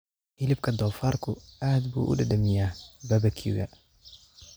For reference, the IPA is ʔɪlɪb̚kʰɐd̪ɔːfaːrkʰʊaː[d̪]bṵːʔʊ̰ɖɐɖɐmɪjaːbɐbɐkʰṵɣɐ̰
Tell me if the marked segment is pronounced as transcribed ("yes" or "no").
yes